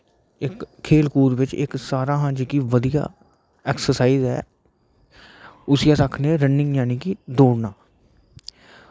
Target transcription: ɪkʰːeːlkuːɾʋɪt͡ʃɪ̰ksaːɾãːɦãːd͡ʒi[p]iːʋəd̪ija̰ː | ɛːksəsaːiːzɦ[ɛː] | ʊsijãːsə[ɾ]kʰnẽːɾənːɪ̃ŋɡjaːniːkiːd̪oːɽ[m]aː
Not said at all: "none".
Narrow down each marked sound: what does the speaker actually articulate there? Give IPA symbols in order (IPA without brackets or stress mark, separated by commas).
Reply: k, ɛː, none, n